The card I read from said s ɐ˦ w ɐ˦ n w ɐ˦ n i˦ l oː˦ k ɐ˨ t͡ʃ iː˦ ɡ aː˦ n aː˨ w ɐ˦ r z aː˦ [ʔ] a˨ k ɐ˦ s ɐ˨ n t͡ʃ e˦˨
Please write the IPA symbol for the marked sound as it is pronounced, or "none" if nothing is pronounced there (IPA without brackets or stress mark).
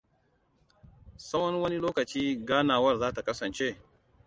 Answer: t